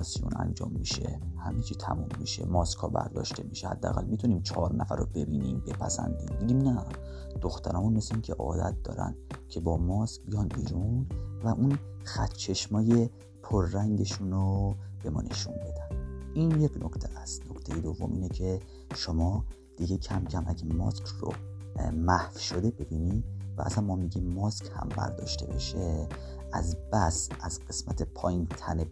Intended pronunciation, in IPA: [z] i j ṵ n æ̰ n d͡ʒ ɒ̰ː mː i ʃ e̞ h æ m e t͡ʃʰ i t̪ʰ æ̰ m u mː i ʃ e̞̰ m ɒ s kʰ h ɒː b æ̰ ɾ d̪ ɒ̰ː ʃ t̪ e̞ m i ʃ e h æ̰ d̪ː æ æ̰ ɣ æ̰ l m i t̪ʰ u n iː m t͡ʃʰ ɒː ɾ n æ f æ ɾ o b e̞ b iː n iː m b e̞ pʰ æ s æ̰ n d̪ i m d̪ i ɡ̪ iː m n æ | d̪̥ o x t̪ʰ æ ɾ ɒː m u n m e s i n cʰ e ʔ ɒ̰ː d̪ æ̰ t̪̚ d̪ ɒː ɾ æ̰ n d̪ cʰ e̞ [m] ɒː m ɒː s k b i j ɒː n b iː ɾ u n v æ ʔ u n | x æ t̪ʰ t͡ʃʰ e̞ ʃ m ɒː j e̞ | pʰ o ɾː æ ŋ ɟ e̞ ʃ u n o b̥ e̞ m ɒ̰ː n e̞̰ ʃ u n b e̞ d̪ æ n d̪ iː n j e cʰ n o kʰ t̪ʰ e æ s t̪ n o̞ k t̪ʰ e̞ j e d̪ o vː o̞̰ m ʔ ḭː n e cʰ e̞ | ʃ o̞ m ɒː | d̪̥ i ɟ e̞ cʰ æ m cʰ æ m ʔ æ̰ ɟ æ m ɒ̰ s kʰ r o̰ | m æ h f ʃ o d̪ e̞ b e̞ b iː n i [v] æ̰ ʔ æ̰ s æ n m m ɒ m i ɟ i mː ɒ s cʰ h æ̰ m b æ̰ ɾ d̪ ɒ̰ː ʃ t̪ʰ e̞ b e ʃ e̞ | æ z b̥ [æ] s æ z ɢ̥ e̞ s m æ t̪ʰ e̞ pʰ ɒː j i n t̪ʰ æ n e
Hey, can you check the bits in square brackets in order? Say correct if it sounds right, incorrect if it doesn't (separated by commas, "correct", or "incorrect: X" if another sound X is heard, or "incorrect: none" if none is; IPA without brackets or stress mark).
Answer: incorrect: s, incorrect: b, correct, correct